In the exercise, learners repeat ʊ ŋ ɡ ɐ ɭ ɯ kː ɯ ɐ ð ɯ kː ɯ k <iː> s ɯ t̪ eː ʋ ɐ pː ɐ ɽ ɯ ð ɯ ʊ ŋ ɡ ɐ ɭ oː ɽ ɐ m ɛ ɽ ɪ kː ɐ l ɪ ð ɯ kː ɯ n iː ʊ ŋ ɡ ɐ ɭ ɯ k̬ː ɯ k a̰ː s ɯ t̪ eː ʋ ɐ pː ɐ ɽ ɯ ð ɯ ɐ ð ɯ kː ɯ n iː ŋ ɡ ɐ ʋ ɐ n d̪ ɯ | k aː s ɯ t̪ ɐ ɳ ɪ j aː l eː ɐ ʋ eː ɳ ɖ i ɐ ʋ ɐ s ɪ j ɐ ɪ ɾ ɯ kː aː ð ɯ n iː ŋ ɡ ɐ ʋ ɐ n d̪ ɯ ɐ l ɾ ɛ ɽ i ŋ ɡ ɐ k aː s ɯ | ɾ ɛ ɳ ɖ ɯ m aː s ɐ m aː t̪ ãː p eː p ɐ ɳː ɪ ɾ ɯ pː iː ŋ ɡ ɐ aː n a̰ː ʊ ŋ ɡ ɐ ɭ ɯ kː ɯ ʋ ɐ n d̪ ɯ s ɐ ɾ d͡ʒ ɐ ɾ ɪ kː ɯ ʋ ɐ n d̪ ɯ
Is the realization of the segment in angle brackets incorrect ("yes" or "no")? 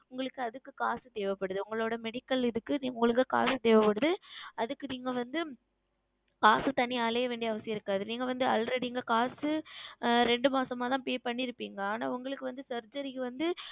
yes